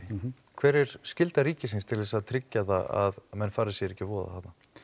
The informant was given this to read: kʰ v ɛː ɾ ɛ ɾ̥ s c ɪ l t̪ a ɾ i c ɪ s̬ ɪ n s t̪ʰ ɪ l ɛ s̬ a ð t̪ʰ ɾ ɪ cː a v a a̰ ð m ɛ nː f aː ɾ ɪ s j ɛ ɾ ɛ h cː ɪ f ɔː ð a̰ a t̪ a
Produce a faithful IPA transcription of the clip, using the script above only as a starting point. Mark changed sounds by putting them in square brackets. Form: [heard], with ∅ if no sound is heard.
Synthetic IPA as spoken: kʰ v ɛː ɾ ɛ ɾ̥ s c ɪ l t̪ a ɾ [iː] c ɪ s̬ ɪ n s t̪ʰ ɪ l ɛ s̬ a ð t̪ʰ ɾ ɪ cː a [ð] a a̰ ð m ɛ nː f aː ɾ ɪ s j ɛ ɾ ɛ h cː ɪ [v] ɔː ð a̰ a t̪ a